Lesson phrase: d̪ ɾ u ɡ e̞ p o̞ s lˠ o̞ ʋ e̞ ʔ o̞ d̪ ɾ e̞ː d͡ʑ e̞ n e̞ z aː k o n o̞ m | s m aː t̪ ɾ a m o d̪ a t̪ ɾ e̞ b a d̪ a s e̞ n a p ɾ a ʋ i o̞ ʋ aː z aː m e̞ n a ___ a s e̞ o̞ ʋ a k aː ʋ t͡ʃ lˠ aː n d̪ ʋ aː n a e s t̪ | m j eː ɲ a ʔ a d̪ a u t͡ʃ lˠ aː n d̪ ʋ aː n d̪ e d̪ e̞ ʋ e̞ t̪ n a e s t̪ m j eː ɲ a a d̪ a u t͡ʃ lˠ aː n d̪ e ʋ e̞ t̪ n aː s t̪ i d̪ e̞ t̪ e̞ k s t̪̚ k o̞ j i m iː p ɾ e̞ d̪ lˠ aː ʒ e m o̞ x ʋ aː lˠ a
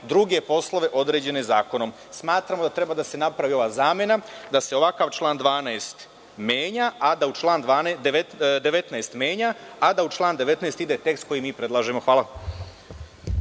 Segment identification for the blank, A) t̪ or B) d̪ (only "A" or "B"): B